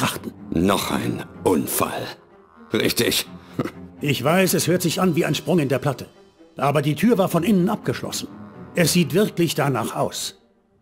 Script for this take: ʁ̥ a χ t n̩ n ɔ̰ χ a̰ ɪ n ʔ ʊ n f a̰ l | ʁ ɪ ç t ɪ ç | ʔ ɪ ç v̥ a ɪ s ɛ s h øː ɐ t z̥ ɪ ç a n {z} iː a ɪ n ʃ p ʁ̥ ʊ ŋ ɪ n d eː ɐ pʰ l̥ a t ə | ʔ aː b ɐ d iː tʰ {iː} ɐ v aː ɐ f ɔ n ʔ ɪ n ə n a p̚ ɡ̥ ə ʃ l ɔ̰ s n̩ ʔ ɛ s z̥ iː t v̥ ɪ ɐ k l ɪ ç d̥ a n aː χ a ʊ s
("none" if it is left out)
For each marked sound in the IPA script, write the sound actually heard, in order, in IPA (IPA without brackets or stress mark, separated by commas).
v, yː